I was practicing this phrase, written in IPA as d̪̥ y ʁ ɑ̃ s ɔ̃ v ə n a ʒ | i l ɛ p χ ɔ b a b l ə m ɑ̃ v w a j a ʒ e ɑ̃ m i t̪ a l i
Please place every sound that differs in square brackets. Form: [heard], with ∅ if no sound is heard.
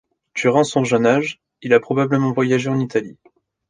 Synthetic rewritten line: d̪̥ y ʁ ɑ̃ s ɔ̃ [ʒ] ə n a ʒ | i l [a] p χ ɔ b a b l ə m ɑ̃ v w a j a ʒ e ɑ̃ [n] i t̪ a l i